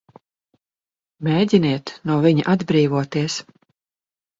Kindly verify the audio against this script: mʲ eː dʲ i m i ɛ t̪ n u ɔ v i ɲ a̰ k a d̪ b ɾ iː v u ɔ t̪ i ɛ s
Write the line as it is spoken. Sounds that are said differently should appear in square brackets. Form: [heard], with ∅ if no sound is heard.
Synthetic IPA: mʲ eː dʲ i [n] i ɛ t̪ n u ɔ v i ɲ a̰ [ʔ] a d̪ b ɾ iː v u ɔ t̪ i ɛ s